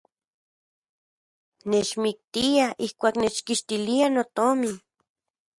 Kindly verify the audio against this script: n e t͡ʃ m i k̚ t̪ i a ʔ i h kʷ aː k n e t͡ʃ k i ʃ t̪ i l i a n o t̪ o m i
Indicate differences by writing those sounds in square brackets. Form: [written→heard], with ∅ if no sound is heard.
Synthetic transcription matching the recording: n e t͡ʃ m i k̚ t̪ i a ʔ i h kʷ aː k n e t͡ʃ k i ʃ t̪ i l i a n o t̪ o m i